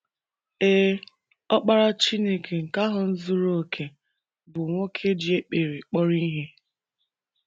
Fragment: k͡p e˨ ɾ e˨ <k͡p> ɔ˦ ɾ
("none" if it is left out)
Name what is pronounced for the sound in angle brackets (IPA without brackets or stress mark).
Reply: k͡p